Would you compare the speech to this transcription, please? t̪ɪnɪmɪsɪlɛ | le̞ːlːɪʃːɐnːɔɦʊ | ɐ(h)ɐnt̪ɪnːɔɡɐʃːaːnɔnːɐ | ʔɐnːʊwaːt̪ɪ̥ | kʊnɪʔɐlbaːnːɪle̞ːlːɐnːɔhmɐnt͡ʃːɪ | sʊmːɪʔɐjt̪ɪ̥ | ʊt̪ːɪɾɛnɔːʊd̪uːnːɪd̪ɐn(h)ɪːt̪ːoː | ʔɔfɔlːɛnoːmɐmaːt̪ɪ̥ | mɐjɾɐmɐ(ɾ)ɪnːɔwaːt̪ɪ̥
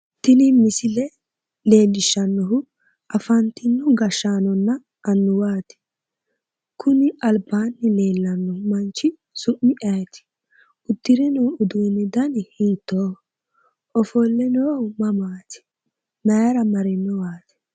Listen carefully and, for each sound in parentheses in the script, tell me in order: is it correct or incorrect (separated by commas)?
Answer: incorrect, correct, correct